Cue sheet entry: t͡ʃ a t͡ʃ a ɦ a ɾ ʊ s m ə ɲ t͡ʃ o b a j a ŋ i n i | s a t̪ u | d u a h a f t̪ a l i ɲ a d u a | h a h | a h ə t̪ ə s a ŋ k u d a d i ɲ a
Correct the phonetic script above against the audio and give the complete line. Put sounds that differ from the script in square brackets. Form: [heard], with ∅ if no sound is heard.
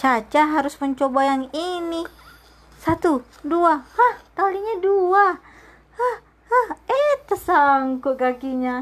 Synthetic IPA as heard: t͡ʃ a t͡ʃ a ɦ a ɾ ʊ s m ə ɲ t͡ʃ o b a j a ŋ i n i | s a t̪ u | d u a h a [h] t̪ a l i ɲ a d u a | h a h | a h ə t̪ ə s a ŋ k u [ɡ] a [ɡ] i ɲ a